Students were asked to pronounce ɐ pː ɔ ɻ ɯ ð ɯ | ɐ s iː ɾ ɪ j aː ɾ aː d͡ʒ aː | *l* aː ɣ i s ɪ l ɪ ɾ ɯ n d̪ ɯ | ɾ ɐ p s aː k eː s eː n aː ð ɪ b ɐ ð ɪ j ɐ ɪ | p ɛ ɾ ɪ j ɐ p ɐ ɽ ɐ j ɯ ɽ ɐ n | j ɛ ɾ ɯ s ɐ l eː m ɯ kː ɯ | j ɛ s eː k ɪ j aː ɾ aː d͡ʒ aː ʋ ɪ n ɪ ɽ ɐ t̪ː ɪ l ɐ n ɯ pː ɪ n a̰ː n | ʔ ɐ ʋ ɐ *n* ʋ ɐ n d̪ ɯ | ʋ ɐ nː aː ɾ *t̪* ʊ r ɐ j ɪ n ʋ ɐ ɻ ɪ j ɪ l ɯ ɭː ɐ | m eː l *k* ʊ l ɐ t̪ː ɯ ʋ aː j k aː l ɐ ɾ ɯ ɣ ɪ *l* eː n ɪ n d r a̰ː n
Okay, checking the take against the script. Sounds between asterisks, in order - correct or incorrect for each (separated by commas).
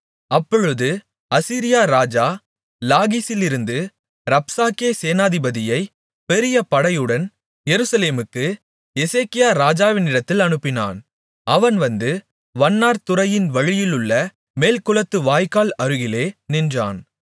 correct, correct, correct, correct, correct